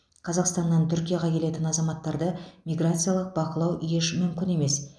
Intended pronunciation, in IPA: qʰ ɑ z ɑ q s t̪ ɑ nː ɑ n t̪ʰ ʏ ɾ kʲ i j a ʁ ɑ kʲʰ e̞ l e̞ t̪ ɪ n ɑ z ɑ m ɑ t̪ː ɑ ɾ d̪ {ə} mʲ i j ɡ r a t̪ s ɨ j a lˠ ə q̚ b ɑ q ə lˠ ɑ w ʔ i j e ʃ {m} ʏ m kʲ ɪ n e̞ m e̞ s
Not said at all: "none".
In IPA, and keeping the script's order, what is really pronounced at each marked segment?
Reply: ə, m

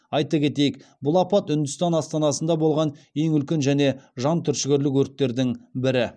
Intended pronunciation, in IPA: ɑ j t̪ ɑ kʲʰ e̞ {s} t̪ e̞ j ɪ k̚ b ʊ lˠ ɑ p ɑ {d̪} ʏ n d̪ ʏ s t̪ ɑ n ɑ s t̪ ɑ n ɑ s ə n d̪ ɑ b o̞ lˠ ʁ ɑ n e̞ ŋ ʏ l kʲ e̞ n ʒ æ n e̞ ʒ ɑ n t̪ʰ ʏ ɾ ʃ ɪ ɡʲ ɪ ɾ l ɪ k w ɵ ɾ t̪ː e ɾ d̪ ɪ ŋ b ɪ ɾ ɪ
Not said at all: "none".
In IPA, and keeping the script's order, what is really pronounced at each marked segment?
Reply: none, t̪

